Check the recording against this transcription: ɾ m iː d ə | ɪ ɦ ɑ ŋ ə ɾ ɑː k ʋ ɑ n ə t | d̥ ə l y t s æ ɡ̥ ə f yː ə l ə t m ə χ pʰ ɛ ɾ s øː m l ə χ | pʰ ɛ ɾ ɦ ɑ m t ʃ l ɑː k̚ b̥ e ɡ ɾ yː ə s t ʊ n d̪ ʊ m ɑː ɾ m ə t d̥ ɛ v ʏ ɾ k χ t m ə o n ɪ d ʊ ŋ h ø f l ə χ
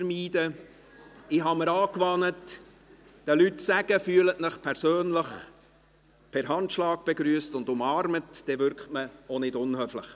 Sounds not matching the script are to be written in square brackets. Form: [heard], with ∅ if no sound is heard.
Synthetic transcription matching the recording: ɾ m iː d ə | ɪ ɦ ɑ [m] ə ɾ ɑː k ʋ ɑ n ə t | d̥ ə l y t s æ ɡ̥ ə f yː ə l ə t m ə χ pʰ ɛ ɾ s øː [n] l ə χ | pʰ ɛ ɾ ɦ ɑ [n] t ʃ l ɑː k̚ b̥ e ɡ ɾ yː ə s t ʊ n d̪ ʊ m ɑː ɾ m ə t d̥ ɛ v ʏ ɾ k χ t m ə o n ɪ d ʊ [n] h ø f l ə χ